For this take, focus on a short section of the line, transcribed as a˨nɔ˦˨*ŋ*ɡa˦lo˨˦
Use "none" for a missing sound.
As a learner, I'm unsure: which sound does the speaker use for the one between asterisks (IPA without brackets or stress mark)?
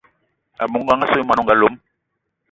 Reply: ŋ